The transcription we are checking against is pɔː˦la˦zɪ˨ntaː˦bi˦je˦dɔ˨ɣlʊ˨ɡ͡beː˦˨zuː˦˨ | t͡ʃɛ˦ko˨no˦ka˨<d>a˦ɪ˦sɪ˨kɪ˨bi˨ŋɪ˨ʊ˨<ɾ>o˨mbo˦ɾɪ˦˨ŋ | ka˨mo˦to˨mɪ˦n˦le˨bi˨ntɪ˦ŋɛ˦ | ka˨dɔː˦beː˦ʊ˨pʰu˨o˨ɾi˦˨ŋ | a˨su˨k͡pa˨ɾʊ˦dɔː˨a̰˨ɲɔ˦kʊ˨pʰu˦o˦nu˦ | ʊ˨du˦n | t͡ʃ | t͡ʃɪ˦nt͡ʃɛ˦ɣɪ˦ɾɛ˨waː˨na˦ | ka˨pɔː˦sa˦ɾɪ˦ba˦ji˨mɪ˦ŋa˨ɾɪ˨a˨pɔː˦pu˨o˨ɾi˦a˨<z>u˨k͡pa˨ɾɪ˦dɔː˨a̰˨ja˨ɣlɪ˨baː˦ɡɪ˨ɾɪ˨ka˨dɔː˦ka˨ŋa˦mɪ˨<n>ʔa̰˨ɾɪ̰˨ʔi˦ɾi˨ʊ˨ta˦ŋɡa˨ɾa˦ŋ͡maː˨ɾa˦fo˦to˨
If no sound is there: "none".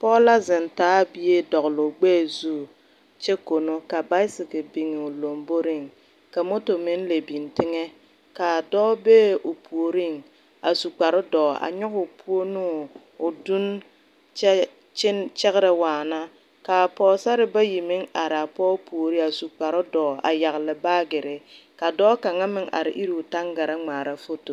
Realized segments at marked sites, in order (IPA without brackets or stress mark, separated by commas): b, l, s, ŋ